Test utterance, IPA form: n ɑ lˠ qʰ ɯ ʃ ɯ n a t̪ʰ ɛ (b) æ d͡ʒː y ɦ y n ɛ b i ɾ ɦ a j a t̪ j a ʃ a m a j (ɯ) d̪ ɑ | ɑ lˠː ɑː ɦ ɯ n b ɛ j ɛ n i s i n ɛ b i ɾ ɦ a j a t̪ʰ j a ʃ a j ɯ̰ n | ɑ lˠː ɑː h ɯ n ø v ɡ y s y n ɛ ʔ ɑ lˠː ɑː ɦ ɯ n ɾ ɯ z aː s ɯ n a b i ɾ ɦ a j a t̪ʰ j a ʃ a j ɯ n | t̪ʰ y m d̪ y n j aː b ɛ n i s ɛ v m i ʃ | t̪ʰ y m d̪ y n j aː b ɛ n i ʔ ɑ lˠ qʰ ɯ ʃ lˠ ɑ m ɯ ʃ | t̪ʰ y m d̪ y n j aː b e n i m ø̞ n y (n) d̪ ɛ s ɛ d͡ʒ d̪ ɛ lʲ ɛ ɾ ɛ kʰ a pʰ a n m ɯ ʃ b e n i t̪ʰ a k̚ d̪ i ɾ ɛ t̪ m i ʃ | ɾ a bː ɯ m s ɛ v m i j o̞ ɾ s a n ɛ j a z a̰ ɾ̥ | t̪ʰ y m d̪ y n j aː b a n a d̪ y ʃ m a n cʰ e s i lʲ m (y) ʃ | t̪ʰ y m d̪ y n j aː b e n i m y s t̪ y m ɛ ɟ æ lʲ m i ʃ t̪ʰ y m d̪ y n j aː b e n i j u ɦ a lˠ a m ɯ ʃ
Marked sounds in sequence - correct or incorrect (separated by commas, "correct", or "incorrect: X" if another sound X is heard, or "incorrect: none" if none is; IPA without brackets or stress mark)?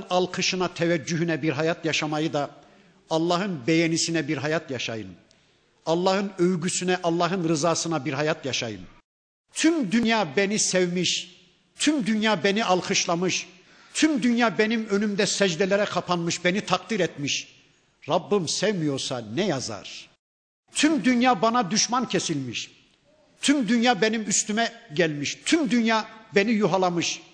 incorrect: v, correct, incorrect: m, incorrect: i